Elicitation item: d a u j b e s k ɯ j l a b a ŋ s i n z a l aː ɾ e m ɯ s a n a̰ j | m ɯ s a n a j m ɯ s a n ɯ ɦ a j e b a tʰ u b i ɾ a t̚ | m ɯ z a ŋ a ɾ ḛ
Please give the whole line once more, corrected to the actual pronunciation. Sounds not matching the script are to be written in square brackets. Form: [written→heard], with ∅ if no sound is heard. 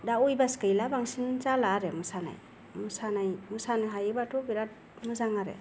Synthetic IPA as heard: d a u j b [e→a] s k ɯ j l a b a ŋ s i n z a l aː ɾ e m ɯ s a n a̰ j | m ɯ s a n a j m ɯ s a n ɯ ɦ a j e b a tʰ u b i ɾ a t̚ | m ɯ z a ŋ a ɾ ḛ